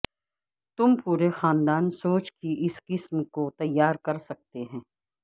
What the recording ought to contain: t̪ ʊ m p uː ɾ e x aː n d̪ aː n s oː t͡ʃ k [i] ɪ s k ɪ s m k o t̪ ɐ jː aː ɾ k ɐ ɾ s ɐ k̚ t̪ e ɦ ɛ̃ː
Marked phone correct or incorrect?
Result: correct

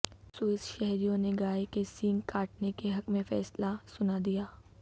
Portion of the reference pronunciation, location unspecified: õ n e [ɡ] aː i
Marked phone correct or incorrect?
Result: correct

